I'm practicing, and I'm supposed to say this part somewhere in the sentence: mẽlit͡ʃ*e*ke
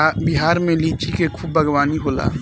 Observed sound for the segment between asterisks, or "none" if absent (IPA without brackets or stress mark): i